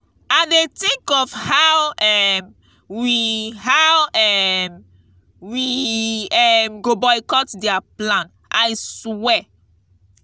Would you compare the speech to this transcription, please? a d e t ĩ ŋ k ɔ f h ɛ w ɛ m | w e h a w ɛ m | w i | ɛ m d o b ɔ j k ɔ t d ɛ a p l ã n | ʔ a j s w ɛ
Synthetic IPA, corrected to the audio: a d e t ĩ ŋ k ɔ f h a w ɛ m | w i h a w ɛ m | w i | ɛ m ɡ o b ɔ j k ɔ t d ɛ a p l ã n | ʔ a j s w ɛ